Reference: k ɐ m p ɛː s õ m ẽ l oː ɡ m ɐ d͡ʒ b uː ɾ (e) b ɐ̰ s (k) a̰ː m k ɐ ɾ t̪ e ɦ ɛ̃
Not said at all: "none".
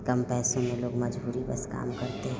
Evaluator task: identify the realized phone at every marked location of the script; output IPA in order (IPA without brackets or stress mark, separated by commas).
i, k